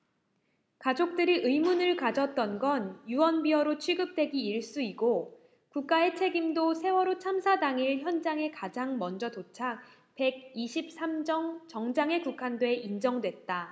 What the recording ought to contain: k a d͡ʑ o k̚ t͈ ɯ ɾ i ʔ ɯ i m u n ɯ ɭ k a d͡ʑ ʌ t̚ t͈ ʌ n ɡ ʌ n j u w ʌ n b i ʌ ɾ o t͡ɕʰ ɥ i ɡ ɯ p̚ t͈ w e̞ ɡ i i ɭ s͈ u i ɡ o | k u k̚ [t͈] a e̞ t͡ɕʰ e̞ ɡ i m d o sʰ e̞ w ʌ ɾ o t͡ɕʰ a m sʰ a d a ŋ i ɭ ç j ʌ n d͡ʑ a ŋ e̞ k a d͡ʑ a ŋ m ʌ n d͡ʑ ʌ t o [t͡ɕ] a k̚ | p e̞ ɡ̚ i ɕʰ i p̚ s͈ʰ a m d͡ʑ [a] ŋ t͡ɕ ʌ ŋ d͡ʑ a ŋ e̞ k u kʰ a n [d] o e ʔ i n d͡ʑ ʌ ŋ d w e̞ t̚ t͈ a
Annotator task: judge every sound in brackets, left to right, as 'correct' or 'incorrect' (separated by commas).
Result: incorrect, incorrect, incorrect, correct